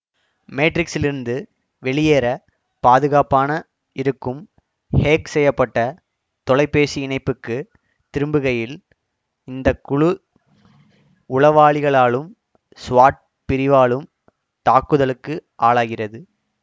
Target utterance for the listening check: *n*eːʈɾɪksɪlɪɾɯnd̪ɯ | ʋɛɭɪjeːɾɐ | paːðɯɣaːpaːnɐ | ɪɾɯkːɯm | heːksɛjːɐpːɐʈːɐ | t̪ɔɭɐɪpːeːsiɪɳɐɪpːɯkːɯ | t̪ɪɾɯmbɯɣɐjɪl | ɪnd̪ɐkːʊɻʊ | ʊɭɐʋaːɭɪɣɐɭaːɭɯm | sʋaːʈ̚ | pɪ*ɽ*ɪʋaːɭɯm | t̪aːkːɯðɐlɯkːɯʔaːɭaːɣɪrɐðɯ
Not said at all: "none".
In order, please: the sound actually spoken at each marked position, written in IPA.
m, ɾ

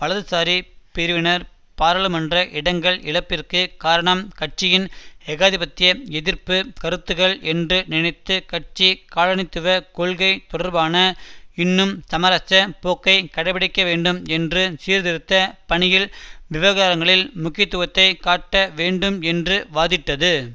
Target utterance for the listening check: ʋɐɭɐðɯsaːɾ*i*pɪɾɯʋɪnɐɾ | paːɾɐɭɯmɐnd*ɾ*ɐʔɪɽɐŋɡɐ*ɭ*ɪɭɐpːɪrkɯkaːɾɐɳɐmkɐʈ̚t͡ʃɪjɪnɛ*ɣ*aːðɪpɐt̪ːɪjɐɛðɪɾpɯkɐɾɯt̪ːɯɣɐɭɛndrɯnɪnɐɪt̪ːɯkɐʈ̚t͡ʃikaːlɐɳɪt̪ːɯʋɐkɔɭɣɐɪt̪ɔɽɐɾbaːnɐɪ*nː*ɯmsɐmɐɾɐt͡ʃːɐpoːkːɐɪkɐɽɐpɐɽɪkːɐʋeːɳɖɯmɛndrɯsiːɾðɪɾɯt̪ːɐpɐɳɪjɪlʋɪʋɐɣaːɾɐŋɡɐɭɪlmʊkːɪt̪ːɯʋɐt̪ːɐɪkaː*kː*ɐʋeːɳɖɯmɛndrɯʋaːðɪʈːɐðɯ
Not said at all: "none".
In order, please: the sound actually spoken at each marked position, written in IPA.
i, r, ɭ, ɣ, nː, ʈː

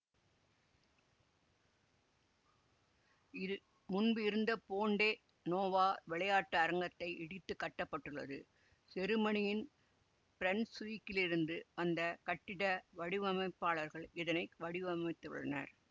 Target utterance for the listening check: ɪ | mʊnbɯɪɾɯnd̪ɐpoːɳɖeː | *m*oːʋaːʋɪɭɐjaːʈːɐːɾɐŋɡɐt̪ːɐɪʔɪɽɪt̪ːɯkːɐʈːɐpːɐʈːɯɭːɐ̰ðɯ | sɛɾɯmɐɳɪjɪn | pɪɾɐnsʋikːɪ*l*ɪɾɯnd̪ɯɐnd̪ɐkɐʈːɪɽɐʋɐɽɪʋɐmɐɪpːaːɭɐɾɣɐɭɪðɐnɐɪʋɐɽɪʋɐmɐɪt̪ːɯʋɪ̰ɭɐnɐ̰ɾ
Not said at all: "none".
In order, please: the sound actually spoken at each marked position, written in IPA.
n, l

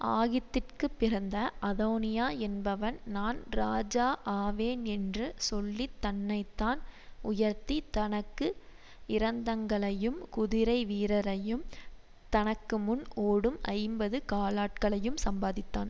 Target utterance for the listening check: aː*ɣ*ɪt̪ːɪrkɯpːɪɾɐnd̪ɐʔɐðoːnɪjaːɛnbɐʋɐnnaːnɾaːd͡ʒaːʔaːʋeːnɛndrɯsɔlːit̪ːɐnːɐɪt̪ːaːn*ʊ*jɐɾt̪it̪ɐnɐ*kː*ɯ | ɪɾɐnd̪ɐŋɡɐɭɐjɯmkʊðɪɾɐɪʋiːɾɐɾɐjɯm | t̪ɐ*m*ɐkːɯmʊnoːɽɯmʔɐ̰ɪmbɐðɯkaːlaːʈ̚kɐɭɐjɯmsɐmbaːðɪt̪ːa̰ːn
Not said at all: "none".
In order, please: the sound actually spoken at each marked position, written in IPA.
ɣ, ʊ, kː, n

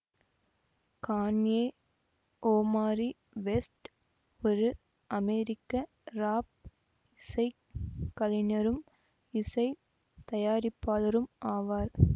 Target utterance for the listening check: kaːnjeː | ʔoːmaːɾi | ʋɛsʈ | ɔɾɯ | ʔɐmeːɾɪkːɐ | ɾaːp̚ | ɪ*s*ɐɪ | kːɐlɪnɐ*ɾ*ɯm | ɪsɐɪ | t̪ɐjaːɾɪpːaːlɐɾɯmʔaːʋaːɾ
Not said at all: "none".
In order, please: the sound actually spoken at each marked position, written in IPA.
s, ɾ

